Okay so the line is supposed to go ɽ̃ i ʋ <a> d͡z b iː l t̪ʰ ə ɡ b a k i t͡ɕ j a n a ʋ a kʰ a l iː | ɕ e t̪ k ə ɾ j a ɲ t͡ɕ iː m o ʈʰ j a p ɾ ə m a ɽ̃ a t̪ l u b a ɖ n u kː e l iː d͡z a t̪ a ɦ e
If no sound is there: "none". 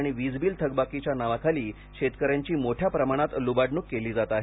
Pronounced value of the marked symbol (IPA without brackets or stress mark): i